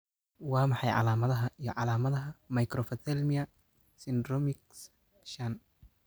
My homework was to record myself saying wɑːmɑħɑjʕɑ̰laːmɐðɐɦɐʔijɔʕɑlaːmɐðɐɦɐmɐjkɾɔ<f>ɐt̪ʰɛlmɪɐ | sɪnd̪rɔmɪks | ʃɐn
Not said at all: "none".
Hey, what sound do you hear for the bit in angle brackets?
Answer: f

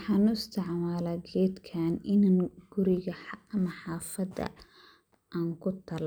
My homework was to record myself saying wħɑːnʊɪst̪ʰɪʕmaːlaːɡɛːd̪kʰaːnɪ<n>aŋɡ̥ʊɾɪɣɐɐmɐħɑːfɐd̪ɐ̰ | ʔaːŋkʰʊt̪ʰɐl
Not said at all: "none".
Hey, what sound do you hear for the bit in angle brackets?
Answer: n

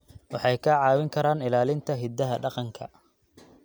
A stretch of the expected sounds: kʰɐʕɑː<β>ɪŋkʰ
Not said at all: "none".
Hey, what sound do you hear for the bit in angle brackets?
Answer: w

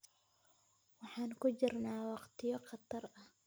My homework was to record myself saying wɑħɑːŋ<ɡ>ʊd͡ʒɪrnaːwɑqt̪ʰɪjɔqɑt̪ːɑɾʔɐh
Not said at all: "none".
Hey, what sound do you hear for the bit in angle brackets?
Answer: k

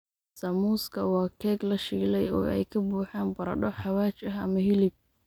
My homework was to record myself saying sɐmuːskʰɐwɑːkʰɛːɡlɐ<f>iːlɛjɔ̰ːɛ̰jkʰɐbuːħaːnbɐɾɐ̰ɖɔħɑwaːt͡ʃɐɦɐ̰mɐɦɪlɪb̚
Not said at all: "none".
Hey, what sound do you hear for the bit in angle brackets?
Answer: ʃ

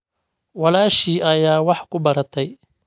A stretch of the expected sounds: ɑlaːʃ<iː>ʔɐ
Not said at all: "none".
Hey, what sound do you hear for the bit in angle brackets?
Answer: iː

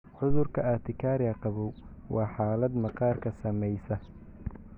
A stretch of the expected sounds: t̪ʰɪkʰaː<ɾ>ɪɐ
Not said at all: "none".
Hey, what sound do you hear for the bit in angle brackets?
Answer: ɾ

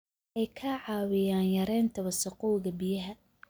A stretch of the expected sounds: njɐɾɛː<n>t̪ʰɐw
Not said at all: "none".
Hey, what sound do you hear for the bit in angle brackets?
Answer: n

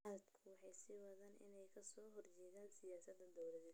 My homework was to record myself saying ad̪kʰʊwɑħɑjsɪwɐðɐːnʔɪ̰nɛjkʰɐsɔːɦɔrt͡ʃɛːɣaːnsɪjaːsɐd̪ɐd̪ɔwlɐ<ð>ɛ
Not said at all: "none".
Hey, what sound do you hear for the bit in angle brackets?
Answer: ð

